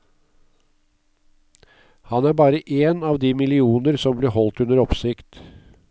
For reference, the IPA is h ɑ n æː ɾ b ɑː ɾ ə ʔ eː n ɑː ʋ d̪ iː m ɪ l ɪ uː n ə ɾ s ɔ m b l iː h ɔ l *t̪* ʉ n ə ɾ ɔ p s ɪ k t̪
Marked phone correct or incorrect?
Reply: correct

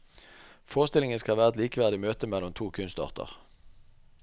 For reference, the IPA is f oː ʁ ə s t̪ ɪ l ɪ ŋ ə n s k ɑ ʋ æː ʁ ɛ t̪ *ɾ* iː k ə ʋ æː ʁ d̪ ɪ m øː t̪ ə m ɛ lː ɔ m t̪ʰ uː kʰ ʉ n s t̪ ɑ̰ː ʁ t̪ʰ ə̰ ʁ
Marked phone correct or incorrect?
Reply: incorrect: l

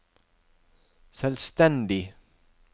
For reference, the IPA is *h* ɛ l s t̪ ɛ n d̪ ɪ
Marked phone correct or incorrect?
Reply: incorrect: s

